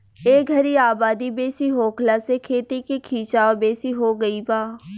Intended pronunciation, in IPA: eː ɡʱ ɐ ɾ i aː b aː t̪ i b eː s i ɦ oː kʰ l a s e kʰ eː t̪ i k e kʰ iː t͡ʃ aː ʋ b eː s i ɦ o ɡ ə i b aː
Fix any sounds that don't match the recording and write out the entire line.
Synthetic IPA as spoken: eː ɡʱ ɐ ɾ i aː b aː d̪ i b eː s i ɦ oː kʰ l a s e kʰ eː t̪ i k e kʰ iː t͡ʃ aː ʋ b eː s i ɦ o ɡ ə i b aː